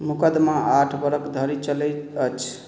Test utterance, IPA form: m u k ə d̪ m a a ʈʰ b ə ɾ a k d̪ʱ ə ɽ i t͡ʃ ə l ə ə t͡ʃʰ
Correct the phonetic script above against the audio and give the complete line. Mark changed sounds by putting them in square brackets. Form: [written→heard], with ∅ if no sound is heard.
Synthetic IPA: m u k ə d̪ m a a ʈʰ b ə ɾ [a→ə] k d̪ʱ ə [ɽ→ɾ] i t͡ʃ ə l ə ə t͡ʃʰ